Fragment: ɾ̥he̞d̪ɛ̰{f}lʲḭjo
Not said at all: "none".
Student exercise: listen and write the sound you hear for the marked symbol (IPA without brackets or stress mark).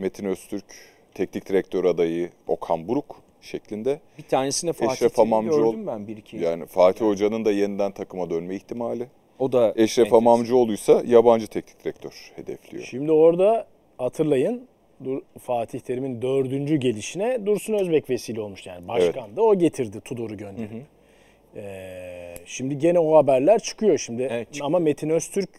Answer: f